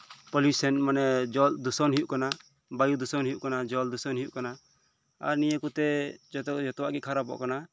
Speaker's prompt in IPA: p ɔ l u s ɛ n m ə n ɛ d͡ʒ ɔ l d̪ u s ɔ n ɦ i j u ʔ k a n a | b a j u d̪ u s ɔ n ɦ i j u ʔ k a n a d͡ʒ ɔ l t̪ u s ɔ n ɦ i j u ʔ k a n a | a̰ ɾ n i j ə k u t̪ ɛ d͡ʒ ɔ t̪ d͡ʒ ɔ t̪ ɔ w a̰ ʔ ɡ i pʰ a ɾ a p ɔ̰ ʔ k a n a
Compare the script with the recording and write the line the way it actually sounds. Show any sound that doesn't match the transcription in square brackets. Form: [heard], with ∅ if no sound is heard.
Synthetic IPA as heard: p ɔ l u s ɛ n m [a] n ɛ d͡ʒ ɔ l d̪ u s ɔ n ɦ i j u ʔ k a n a | b a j u d̪ u s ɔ n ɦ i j u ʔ k a n a d͡ʒ ɔ l [d̪] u s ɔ n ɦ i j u ʔ k a n a | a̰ ɾ n i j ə k u t̪ ɛ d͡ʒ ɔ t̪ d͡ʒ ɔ t̪ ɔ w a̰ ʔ ɡ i [kʰ] a ɾ a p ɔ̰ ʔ k a n a